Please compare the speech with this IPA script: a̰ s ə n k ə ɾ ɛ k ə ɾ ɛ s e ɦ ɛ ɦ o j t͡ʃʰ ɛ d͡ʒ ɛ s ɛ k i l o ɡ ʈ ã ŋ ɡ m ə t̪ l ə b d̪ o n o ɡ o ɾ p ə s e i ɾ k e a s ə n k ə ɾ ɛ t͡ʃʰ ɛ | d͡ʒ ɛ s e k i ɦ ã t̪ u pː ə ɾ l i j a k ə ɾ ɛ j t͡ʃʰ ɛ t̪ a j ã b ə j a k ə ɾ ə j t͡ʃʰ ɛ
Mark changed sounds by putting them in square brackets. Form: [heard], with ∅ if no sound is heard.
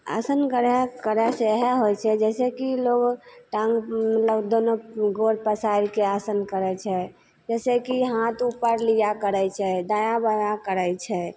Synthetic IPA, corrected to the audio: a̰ s ə n k ə ɾ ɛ k ə ɾ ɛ s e ɦ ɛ ɦ o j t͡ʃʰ ɛ d͡ʒ ɛ s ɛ k i l o ɡ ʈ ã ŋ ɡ m ə t̪ l ə b d̪ o n o ɡ o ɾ p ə s [a] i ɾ k e a s ə n k ə ɾ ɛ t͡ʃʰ ɛ | d͡ʒ ɛ s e k i ɦ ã t̪ u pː ə ɾ l i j a k ə ɾ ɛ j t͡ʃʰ ɛ [d̪] a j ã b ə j a k ə ɾ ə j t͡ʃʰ ɛ